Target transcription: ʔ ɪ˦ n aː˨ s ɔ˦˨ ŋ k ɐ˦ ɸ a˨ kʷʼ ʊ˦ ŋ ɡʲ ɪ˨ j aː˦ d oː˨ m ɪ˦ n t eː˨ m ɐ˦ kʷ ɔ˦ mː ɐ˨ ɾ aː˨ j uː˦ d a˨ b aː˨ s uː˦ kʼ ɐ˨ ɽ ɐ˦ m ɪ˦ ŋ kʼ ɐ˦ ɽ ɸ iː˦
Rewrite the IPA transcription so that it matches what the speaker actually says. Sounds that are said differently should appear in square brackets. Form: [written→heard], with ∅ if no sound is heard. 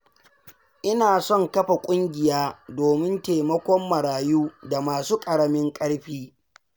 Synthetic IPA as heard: ʔ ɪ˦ n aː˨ s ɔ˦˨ ŋ k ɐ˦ ɸ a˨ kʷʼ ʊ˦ ŋ ɡʲ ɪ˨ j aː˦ d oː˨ m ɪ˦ n t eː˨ m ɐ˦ kʷ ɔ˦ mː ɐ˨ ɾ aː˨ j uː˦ d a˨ [b→m] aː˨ s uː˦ kʼ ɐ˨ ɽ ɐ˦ m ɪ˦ ŋ kʼ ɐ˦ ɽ ɸ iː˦